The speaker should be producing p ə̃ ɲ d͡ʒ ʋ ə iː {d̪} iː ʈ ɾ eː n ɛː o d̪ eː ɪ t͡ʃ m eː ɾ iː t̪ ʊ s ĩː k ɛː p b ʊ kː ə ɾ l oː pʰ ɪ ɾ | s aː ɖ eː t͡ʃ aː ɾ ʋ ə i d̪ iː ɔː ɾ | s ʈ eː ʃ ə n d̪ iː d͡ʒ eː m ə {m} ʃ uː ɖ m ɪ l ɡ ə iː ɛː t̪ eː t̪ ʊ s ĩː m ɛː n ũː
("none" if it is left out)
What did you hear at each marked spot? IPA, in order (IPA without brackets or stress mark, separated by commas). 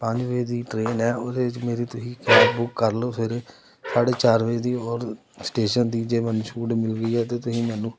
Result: d̪, n